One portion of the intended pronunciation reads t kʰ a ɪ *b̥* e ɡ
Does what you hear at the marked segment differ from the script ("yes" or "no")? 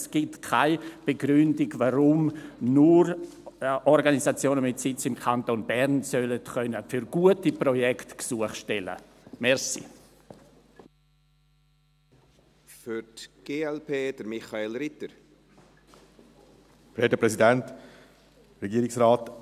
no